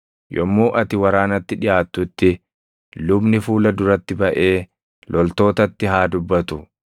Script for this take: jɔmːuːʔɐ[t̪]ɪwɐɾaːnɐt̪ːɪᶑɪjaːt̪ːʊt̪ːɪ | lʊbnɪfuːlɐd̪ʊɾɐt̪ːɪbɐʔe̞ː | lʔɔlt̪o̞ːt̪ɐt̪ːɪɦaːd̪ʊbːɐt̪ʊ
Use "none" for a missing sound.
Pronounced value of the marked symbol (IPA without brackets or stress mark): t̪